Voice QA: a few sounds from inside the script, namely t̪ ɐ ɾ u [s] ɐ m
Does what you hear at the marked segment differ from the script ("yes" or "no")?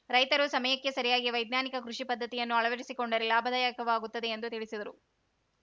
no